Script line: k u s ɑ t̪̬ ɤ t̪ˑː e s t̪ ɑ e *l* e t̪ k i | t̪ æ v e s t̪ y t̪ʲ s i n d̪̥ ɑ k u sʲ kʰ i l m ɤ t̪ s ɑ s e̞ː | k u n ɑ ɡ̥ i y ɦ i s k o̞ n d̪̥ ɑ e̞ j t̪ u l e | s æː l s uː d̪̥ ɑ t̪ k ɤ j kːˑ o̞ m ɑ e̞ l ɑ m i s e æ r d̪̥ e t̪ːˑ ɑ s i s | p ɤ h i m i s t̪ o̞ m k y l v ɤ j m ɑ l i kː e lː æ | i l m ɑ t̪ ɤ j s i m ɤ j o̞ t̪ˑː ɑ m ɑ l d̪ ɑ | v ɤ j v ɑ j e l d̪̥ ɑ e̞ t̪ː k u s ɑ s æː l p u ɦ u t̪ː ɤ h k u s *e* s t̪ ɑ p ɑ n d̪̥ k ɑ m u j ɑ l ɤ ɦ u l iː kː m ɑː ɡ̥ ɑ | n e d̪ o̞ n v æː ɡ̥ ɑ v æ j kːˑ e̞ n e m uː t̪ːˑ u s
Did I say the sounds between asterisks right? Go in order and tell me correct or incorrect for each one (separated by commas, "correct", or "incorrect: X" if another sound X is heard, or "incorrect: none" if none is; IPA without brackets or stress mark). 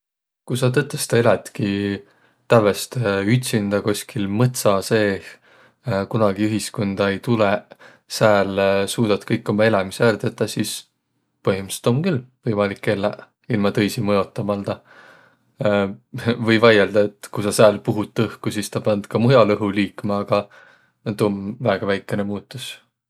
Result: correct, incorrect: i